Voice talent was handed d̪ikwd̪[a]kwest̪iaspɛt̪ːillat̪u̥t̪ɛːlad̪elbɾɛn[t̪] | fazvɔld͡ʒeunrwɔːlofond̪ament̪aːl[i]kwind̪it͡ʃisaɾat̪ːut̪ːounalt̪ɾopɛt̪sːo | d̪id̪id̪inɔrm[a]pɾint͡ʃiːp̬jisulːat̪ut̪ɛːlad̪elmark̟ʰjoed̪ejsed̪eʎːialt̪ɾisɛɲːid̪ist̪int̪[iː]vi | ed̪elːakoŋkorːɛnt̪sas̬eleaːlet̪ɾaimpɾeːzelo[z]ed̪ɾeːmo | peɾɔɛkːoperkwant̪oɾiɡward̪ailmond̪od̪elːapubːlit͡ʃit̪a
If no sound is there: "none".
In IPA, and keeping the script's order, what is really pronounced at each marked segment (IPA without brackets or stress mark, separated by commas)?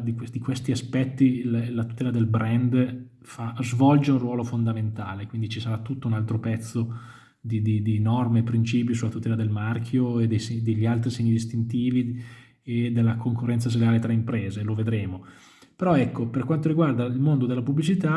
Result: i, d̪, e, e, iː, v